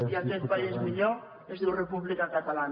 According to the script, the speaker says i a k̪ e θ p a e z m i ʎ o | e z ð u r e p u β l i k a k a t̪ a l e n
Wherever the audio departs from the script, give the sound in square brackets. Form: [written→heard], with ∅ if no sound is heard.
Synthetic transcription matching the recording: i a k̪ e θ p a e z m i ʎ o | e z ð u r e p u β l i k a k a t̪ a l [e→a] n